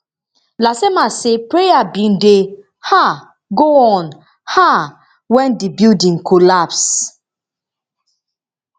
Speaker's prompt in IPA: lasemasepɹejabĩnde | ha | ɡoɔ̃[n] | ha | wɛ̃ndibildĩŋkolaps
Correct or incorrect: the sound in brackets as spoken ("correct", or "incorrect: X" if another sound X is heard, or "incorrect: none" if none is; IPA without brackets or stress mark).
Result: correct